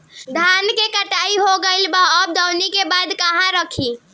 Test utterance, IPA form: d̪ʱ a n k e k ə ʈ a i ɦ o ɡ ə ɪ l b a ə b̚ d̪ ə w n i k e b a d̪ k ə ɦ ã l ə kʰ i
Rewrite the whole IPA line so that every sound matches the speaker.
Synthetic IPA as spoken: d̪ʱ a n k e k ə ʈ a i ɦ o ɡ ə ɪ l b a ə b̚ d̪ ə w n i k e b a d̪ k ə ɦ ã ɾ ə kʰ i